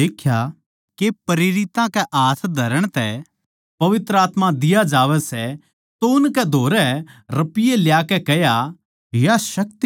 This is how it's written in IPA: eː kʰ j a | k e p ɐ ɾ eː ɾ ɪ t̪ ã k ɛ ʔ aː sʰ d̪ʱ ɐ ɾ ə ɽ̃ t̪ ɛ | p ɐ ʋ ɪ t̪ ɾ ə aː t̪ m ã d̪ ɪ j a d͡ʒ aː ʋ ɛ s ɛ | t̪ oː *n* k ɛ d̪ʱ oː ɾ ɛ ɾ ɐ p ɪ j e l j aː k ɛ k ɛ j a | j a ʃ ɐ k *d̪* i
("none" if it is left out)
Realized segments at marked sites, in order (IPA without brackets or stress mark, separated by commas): n, t̪